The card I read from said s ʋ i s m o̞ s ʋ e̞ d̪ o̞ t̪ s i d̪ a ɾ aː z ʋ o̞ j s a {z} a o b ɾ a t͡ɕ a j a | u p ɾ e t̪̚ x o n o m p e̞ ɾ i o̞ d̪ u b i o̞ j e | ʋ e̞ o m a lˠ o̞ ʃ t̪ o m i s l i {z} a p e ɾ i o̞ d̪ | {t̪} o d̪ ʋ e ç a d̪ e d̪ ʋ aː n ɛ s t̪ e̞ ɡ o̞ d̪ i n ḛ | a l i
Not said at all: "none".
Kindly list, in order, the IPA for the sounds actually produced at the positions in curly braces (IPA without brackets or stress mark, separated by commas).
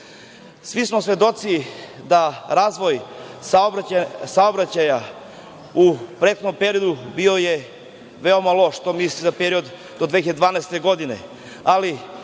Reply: s, z, d̪